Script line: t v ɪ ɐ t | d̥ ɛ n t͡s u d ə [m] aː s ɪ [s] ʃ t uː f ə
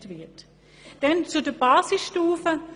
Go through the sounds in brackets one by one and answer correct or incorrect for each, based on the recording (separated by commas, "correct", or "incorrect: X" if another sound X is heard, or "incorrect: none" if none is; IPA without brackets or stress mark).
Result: incorrect: b, correct